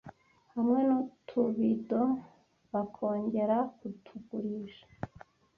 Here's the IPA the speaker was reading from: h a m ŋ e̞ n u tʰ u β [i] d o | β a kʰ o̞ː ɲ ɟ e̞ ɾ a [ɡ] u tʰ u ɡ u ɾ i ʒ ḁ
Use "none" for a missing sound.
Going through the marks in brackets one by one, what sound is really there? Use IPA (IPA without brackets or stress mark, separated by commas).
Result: i, k